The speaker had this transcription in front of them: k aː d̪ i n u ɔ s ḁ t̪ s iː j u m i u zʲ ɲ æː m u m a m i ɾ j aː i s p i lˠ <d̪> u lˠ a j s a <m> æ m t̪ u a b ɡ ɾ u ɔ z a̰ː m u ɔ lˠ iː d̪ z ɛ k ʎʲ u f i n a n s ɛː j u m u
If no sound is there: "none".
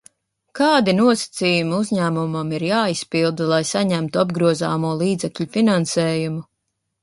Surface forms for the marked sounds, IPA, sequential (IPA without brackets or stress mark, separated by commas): d̪, ɲ